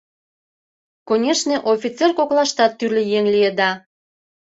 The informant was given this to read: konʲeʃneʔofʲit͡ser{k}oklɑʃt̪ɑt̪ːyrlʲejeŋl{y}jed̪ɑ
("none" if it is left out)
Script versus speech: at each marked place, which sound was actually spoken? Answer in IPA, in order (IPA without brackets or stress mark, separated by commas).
k, i